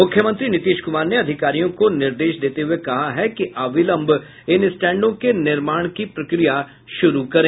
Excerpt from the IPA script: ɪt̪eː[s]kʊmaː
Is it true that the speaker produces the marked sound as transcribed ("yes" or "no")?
no